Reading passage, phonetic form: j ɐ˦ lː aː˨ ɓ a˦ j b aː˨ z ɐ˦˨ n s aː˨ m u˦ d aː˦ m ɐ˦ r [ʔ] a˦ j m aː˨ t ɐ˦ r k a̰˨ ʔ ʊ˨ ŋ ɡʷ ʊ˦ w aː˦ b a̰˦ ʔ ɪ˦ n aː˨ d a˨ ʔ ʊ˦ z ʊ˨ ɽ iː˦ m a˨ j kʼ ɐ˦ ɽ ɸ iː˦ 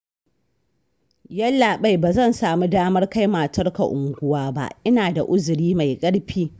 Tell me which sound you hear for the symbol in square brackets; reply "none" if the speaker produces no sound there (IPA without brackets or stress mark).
k